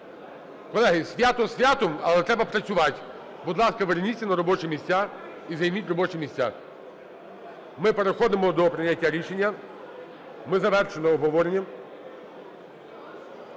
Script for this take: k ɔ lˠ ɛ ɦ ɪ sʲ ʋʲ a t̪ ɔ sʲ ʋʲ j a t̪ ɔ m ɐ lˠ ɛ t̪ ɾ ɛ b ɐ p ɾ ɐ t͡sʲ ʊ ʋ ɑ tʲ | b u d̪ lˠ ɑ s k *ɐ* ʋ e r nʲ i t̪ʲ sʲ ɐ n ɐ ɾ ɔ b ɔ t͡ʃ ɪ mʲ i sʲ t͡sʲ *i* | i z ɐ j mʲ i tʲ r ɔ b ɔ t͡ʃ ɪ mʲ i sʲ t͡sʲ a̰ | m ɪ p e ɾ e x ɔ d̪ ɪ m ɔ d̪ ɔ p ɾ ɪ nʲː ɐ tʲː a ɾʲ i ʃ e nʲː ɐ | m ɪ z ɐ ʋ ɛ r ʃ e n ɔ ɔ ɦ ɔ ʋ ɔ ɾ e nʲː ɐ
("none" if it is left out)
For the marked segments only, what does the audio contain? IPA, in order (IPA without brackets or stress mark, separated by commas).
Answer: ɐ, a